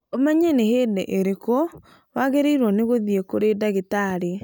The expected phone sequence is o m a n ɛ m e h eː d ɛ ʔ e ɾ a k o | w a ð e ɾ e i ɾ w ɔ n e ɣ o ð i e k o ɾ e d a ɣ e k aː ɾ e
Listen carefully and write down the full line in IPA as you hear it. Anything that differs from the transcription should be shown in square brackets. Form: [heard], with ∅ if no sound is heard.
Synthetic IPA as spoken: o m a [ɲ] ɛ [n] e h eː d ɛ ʔ e ɾ [e] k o | w a [ɣ] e ɾ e i ɾ w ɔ n e ɣ o ð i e k o ɾ e d a ɣ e [t] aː ɾ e